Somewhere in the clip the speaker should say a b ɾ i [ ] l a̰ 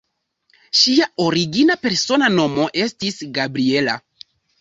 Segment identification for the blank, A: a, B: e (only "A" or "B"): B